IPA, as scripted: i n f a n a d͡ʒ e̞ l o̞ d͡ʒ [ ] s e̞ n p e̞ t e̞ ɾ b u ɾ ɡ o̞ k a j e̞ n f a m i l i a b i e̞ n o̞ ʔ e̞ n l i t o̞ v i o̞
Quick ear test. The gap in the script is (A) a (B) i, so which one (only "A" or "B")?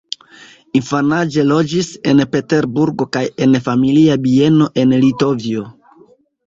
B